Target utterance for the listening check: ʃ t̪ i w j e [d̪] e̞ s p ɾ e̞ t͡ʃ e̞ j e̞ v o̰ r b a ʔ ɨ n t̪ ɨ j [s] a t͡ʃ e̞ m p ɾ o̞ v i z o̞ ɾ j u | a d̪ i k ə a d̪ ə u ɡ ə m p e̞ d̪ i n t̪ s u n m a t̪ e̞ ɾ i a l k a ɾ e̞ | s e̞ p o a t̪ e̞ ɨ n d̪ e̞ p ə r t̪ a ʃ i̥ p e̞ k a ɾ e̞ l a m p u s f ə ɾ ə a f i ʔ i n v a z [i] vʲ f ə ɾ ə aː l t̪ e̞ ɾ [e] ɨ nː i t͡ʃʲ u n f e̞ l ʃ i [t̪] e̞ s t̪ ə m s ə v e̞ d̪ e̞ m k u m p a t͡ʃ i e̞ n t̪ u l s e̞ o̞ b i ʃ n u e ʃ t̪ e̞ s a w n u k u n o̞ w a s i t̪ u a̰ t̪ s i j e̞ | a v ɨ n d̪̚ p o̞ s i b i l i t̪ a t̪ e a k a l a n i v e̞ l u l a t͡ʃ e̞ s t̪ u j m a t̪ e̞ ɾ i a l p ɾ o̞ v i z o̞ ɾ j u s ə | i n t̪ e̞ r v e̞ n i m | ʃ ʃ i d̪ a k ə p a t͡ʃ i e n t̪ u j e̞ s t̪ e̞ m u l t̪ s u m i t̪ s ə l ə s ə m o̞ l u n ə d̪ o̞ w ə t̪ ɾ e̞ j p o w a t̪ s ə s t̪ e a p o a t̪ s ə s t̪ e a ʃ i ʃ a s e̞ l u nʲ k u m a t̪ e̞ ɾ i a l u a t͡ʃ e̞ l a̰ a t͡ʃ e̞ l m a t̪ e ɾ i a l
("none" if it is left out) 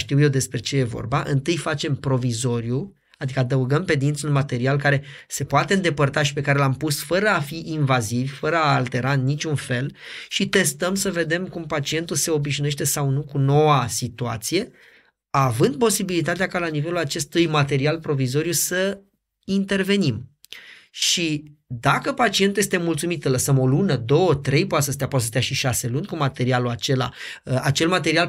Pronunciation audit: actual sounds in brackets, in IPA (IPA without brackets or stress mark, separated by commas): d̪, f, i, a, t̪